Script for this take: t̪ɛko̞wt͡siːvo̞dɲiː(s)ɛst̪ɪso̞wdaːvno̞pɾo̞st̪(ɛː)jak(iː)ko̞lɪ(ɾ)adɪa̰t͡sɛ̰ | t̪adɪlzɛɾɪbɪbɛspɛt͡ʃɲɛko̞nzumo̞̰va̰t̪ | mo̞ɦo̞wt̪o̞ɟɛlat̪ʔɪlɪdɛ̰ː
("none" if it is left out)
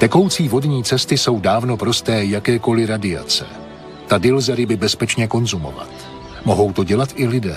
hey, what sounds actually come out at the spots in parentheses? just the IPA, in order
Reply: t͡s, ɛː, ɛː, ɾ

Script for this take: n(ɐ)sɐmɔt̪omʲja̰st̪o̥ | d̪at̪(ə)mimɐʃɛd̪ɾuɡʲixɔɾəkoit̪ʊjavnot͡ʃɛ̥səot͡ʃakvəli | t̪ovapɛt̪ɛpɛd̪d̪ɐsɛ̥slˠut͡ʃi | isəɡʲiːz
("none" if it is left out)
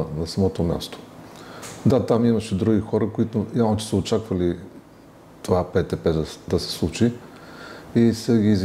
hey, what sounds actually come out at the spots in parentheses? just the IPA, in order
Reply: ɐ, a

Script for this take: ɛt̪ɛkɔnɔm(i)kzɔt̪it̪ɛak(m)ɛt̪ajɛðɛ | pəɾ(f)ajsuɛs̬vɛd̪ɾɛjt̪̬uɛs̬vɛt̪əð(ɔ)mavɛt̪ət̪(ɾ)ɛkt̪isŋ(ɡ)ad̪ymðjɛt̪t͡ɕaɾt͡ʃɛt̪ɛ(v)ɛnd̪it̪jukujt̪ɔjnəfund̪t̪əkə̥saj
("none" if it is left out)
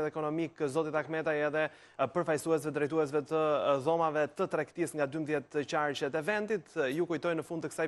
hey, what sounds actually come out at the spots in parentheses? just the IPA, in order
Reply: i, m, f, ɔ, ɾ, ɡ, v

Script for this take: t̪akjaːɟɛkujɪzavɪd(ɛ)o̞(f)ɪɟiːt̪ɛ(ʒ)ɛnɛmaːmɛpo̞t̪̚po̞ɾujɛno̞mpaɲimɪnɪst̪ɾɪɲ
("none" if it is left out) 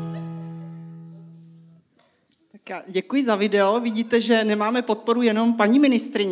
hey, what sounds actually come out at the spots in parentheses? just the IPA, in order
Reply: ɛ, v, ʒ

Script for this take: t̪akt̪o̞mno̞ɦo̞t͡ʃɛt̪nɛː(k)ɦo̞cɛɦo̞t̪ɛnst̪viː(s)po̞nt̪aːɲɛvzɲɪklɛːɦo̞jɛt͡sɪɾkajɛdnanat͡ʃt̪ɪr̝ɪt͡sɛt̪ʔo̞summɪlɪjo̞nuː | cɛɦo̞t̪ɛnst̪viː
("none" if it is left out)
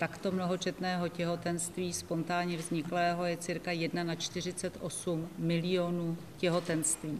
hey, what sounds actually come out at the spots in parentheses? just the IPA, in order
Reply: none, s

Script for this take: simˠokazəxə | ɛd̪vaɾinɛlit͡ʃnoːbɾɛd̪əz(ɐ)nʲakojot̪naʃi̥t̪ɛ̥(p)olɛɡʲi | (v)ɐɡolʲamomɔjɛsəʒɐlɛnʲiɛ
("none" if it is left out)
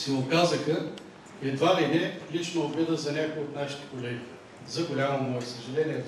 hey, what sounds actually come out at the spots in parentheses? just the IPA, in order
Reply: ɐ, k, z

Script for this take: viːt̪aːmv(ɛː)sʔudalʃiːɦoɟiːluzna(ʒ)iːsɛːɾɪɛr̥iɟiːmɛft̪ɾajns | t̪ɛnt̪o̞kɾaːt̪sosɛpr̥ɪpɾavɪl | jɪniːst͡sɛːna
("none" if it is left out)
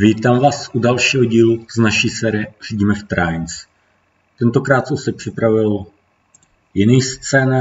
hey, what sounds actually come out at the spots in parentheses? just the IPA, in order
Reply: aː, ʃ

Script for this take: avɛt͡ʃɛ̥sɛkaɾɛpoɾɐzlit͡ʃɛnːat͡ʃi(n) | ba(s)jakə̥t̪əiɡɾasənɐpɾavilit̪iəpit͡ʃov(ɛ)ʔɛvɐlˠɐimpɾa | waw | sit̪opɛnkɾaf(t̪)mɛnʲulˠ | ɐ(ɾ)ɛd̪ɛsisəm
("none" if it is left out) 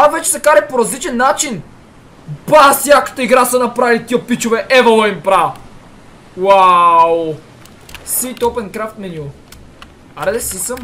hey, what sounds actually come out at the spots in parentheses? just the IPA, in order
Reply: n, s, ɛ, t̪, ɾ

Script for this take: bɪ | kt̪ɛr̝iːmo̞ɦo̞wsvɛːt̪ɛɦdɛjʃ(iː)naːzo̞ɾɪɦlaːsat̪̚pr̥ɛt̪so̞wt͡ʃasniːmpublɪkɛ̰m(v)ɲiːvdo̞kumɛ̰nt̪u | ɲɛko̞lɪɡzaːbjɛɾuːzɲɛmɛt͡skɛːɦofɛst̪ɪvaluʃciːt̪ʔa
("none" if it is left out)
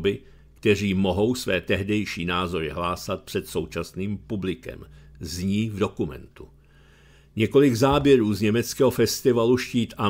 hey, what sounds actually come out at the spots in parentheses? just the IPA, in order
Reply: iː, z

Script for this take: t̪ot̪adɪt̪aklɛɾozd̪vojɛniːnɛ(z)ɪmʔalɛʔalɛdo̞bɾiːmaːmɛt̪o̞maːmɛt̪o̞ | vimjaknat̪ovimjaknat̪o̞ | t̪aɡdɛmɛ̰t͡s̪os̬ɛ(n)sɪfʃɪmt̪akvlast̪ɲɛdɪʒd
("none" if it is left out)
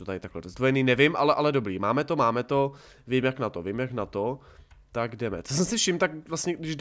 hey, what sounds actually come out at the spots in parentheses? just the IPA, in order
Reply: v, m

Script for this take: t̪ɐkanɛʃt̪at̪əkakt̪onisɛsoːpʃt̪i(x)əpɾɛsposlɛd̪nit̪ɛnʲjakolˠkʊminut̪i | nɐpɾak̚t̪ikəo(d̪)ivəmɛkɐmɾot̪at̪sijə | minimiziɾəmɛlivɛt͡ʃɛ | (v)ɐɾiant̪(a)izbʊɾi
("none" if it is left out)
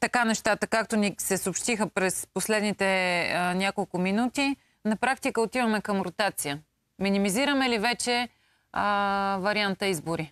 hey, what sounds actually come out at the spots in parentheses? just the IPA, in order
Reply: x, t̪, v, ə

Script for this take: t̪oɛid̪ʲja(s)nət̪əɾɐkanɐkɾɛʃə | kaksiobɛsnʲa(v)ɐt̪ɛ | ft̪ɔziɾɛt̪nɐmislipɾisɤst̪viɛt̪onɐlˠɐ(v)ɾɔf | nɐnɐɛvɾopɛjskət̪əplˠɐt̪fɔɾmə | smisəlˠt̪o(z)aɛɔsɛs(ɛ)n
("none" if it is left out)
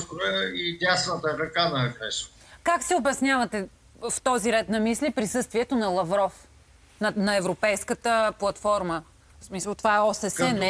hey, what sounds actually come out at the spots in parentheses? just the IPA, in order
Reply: s, v, v, v, ɛ

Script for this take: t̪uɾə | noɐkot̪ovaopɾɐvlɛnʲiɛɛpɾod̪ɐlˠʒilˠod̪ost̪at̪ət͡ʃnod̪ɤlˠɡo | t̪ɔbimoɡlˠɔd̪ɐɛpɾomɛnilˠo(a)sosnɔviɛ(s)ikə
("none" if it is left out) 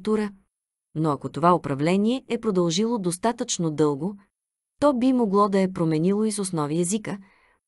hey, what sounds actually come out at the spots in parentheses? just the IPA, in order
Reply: i, z

